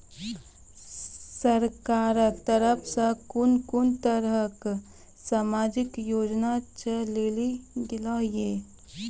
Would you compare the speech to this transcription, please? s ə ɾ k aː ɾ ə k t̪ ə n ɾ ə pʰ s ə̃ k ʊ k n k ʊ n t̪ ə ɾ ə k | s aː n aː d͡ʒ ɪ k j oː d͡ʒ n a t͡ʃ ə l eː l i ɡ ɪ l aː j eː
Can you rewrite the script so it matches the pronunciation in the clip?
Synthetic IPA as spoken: s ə ɾ k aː ɾ ə k t̪ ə ɾ ə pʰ s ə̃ k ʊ n k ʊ n t̪ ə ɾ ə k | s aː m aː d͡ʒ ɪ k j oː d͡ʒ n a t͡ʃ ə l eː l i ɡ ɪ l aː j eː